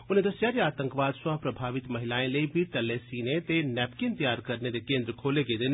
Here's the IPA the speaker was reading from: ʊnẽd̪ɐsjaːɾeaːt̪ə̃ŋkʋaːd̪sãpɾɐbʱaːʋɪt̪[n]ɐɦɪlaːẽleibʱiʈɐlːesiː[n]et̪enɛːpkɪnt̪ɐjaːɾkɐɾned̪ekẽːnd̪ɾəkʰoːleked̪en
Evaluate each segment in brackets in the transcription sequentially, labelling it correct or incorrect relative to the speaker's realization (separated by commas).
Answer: incorrect, correct